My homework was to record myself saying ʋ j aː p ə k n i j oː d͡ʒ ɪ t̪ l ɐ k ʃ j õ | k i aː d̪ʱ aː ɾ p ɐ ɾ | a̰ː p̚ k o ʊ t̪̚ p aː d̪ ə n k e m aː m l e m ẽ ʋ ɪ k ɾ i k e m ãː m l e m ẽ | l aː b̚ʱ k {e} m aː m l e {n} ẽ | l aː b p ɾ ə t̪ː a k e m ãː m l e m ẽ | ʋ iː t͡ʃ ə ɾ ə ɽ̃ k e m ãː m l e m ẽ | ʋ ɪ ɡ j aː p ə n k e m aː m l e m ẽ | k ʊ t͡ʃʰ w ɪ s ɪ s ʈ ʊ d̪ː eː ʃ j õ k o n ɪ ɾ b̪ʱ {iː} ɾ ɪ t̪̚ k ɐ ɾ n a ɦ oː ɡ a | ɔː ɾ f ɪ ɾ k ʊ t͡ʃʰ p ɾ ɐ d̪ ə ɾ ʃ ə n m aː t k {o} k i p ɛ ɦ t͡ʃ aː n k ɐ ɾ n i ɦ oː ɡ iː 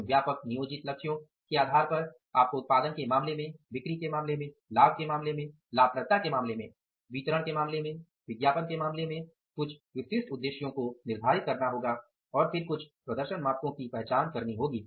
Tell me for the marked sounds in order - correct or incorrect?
correct, incorrect: m, incorrect: aː, incorrect: õ

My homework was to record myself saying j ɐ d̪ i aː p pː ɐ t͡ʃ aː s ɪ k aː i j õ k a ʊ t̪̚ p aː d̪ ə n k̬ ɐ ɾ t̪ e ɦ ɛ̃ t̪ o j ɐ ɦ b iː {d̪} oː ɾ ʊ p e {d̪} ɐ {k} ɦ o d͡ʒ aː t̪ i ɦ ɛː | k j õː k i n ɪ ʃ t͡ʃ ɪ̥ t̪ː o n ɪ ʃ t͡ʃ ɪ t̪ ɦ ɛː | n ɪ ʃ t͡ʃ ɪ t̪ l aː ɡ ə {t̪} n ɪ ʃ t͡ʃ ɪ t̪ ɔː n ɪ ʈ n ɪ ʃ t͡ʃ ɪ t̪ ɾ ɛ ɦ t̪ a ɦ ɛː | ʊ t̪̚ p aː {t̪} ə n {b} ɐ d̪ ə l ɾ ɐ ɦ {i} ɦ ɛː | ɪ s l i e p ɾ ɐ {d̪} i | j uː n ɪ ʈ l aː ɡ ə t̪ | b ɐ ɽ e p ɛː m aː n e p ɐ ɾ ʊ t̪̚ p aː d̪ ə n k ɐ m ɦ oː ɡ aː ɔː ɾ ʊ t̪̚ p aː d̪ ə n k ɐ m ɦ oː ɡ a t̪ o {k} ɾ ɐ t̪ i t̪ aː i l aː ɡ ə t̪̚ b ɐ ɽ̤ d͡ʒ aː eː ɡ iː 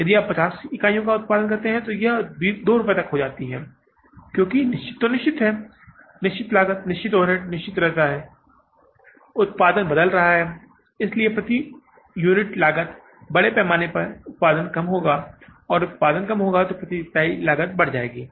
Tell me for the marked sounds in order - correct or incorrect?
correct, incorrect: t̪, correct, correct, incorrect: d̪, correct, incorrect: a, incorrect: t̪, incorrect: p

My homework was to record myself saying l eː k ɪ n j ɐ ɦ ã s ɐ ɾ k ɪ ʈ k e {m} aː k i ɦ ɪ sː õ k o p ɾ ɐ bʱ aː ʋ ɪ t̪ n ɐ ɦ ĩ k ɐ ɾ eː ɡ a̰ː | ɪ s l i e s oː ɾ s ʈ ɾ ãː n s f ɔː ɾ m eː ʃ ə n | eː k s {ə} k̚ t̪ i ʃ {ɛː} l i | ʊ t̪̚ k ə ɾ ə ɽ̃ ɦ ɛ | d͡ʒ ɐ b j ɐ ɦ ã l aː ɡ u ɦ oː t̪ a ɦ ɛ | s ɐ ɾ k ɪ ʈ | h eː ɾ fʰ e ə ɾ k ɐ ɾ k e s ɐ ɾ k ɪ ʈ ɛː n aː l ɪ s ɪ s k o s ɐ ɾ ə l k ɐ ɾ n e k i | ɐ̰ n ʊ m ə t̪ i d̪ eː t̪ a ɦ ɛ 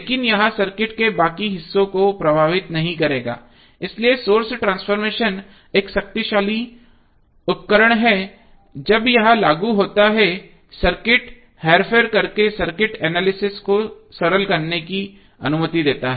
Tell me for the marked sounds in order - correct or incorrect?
incorrect: b, incorrect: ɐ, incorrect: aː

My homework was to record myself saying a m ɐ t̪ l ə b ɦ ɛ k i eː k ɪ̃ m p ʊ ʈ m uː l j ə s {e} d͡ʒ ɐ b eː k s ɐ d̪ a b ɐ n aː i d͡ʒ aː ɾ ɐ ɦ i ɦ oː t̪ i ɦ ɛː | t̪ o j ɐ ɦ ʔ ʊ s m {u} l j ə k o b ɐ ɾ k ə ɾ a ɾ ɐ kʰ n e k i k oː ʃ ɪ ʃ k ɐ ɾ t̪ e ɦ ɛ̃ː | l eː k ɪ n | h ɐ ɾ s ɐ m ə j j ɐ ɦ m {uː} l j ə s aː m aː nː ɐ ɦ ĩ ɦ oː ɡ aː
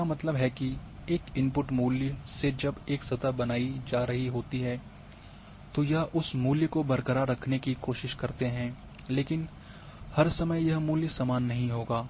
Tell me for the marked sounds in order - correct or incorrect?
correct, incorrect: uː, correct

